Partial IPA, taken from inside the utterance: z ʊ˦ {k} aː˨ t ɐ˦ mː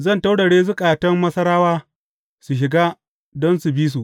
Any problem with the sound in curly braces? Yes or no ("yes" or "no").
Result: yes